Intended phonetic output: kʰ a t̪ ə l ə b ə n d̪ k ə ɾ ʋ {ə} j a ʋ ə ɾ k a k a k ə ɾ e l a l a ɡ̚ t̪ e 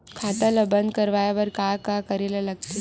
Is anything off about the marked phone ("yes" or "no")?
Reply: yes